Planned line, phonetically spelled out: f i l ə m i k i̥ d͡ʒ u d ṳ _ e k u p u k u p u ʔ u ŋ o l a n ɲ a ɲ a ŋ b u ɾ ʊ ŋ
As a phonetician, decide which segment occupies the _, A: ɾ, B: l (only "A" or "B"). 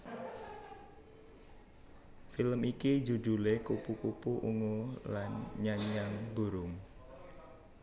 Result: B